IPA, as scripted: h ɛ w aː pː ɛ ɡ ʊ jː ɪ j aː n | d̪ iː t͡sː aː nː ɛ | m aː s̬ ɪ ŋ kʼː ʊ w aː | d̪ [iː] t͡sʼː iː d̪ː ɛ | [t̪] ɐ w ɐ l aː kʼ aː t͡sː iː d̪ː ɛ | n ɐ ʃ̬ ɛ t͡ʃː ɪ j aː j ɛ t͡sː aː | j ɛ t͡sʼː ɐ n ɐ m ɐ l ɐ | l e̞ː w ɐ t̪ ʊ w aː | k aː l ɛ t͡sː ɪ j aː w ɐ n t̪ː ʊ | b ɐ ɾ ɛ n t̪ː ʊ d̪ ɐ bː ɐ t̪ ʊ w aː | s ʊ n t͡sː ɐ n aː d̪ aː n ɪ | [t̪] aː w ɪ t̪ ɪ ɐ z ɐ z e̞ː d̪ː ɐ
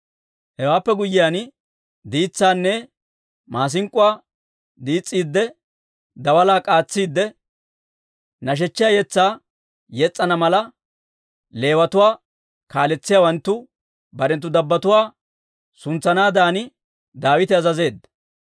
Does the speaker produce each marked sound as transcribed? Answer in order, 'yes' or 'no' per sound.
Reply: yes, no, no

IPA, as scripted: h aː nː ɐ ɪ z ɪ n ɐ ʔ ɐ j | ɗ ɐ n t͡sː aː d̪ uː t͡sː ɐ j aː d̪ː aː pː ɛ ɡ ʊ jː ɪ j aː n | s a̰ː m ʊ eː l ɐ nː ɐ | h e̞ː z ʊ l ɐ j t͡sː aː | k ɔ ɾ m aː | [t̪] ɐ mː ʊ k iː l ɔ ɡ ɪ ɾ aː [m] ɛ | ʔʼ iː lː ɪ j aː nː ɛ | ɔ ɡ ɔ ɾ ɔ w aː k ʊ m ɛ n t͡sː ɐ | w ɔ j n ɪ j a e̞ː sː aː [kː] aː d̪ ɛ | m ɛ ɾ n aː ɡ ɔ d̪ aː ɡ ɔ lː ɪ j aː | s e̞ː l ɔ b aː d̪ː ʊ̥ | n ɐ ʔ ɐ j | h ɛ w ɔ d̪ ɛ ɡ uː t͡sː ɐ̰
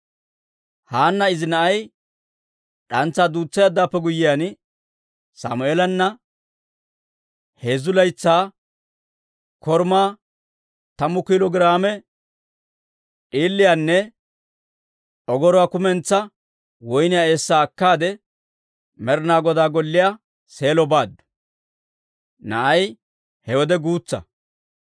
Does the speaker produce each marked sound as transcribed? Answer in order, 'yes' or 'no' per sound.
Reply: yes, yes, yes

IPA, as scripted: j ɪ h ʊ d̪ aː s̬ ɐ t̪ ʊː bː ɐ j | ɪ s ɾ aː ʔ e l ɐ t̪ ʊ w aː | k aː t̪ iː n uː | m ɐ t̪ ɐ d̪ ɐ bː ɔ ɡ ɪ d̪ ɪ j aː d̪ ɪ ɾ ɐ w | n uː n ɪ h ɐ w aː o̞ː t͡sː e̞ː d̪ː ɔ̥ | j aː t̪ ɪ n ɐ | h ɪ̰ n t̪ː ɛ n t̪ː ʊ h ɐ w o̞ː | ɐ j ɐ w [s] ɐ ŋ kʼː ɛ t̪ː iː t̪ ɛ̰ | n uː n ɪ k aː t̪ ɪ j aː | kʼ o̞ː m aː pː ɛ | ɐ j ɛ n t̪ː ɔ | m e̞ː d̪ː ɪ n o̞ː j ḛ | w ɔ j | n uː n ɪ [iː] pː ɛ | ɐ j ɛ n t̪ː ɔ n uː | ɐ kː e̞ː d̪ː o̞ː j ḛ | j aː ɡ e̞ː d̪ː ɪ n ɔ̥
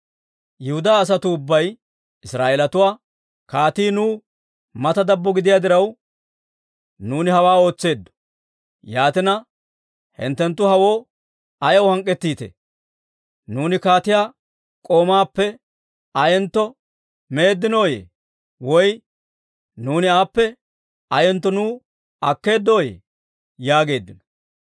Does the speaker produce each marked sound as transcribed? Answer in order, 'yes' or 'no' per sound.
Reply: no, no

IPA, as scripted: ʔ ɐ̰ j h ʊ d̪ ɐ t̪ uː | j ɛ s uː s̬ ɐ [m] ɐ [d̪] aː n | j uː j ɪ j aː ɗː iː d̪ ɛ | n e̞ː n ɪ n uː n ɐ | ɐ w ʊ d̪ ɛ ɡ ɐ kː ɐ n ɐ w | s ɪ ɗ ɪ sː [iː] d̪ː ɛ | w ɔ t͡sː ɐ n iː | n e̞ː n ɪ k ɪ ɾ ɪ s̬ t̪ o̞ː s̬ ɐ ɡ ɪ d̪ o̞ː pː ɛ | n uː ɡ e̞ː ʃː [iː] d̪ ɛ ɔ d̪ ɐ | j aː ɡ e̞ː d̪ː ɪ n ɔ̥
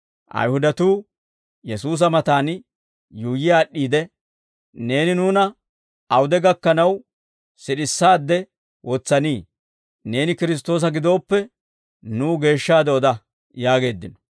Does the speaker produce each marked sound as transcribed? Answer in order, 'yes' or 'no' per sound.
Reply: yes, no, no, no

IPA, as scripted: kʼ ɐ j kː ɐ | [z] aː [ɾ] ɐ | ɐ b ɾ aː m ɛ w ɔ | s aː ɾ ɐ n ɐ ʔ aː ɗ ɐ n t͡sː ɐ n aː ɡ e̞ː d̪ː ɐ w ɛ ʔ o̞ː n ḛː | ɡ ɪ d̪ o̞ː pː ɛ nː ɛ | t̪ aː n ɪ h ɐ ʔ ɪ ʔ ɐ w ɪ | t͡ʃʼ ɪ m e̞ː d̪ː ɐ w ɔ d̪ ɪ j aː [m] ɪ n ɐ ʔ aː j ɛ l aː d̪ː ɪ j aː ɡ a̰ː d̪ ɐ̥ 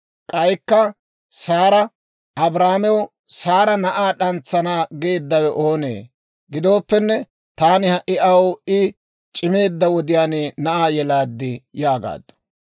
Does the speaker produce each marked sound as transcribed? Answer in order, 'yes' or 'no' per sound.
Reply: no, yes, no

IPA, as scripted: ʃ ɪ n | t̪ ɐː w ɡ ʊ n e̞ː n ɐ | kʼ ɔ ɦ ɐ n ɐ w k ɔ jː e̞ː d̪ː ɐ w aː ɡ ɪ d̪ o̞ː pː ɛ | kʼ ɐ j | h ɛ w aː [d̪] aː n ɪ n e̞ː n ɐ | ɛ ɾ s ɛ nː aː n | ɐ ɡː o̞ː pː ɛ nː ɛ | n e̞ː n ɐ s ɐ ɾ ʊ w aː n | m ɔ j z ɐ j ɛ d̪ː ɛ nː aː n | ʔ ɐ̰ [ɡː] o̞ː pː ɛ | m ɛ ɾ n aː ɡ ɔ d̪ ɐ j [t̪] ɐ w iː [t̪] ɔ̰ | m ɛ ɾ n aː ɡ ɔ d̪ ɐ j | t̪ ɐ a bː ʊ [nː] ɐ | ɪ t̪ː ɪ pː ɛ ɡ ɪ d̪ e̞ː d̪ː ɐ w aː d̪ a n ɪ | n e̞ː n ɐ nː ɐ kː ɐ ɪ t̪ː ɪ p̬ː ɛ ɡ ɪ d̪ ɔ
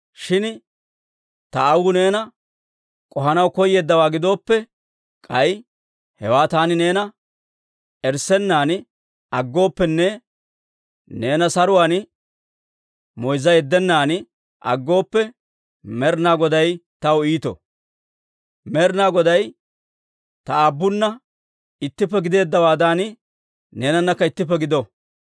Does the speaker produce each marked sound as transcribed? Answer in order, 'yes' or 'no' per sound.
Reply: no, yes, yes, yes, yes

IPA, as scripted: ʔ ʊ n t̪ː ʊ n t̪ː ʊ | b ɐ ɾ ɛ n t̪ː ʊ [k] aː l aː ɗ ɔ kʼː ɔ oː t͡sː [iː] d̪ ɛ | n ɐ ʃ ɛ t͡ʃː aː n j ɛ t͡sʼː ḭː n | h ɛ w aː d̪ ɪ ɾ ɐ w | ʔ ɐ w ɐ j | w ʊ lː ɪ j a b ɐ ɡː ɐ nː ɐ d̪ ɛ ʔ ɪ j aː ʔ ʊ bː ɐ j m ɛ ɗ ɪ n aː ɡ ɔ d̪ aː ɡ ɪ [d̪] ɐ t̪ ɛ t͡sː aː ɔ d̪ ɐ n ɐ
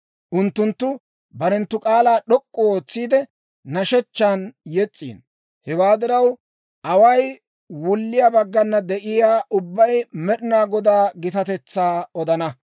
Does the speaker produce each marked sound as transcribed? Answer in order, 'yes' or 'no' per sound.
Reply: no, yes, no

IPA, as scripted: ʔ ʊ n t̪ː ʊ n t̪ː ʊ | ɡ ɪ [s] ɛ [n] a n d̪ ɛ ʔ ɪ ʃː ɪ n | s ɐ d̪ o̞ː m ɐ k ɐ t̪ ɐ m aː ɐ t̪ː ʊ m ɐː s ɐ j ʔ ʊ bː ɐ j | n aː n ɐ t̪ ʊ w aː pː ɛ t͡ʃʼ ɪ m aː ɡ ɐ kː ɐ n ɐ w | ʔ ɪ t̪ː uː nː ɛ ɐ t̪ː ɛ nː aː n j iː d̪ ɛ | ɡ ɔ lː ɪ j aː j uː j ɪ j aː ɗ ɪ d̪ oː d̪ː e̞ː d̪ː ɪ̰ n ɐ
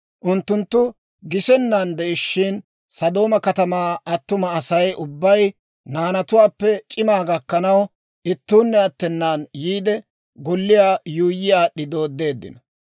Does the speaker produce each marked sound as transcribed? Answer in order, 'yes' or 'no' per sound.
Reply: yes, no

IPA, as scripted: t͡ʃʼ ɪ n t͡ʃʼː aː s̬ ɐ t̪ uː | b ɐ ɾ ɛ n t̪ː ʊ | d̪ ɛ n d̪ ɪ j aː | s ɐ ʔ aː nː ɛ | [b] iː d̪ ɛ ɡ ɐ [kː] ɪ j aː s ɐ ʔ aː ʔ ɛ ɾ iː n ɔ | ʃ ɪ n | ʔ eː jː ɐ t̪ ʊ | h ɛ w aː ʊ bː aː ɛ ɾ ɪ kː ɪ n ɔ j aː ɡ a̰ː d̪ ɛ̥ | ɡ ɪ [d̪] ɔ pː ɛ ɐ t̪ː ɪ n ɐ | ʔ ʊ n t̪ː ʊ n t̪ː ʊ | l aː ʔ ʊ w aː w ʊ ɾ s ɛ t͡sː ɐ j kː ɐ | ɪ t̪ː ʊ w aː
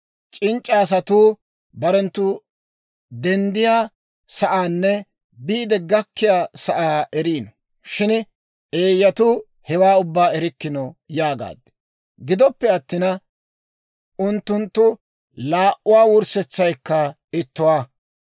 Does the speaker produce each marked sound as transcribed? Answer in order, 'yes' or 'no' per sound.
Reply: yes, yes, yes

